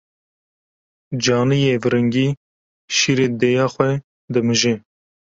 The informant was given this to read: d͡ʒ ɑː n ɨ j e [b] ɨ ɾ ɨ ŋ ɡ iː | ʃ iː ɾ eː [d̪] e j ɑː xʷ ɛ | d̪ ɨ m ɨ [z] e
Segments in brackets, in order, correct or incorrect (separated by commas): incorrect, correct, incorrect